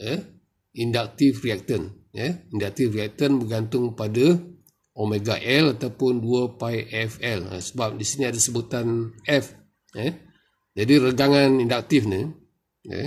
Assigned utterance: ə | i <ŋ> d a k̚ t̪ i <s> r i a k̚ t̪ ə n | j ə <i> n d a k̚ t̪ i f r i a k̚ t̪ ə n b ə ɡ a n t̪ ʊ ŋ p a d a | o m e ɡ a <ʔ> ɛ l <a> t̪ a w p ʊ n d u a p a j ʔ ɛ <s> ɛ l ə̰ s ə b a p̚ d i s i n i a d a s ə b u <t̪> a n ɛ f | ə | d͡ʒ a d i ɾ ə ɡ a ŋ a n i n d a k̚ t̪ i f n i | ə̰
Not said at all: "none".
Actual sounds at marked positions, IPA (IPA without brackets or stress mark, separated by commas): n, f, i, ʔ, a, f, t̪